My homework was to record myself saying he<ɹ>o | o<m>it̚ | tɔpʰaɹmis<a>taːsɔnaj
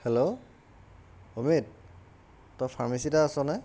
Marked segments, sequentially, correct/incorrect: incorrect, correct, incorrect

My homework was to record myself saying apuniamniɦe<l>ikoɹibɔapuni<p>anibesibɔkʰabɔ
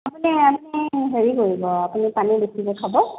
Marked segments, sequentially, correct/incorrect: incorrect, correct

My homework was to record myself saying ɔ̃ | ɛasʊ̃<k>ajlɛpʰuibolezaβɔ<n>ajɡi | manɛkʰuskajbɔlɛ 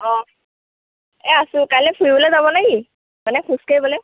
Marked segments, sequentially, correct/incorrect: correct, correct

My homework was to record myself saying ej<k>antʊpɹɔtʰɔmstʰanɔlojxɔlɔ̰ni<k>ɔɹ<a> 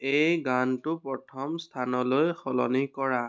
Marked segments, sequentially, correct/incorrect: incorrect, correct, correct

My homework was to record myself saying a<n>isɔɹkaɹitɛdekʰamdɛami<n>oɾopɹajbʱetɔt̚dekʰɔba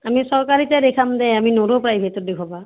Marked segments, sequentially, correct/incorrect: incorrect, correct

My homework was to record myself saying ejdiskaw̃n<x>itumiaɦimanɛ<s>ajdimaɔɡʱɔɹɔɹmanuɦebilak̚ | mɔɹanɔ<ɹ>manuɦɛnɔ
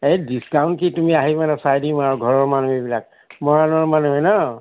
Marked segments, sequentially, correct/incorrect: incorrect, correct, correct

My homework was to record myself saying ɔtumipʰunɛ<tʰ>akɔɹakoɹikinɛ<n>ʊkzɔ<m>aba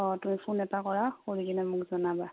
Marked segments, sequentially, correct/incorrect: incorrect, incorrect, incorrect

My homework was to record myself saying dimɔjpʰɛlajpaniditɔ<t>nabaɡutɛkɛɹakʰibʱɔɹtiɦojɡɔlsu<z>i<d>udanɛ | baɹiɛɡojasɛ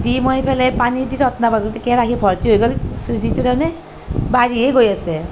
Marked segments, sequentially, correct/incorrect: correct, correct, incorrect

